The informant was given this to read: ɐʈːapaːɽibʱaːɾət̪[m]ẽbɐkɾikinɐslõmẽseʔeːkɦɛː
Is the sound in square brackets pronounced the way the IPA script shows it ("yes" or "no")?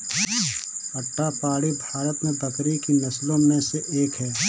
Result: yes